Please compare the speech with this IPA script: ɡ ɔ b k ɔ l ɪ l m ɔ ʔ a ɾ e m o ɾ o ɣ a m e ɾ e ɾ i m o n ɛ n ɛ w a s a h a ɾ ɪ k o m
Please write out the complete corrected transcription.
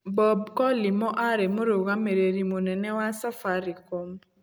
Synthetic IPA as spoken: b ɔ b k ɔ l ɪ m ɔ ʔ a ɾ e m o ɾ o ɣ a m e ɾ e ɾ i m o n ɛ n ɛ w a s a f a ɾ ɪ k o m